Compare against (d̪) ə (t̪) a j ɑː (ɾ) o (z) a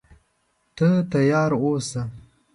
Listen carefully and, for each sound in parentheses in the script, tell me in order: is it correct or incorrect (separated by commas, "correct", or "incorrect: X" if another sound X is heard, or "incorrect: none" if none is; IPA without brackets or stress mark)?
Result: incorrect: t̪, correct, correct, incorrect: s